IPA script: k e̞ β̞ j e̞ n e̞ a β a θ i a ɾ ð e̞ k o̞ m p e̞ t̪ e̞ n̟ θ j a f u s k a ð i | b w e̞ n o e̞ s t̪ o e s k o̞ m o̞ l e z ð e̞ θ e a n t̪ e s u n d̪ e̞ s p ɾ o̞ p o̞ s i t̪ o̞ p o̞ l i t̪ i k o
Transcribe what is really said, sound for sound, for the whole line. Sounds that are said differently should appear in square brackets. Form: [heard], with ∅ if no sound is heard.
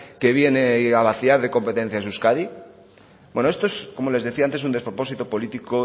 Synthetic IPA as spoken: k e̞ β̞ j e̞ n e̞ a β a θ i a ɾ ð e̞ k o̞ m p e̞ t̪ e̞ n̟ θ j a [s] u s k a ð i | b w e̞ n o e̞ s t̪ o e s k o̞ m o̞ l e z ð e̞ θ [i] a n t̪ e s u n d̪ e̞ s p ɾ o̞ p o̞ s i t̪ o̞ p o̞ l i t̪ i k o